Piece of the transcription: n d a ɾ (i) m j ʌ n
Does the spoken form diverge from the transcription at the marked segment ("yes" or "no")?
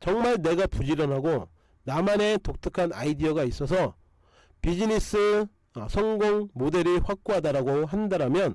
yes